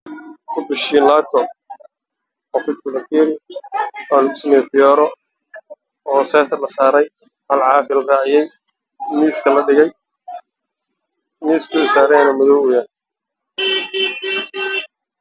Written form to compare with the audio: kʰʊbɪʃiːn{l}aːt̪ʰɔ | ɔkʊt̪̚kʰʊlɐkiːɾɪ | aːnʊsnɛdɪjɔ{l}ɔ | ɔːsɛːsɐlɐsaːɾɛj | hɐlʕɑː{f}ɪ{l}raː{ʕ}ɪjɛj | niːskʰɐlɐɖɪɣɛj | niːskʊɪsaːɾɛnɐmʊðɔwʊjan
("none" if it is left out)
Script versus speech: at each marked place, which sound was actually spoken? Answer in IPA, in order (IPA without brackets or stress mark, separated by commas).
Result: l, ɾ, f, l, ʕ